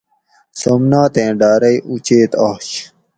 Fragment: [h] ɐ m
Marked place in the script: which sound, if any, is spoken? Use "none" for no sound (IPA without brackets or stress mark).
s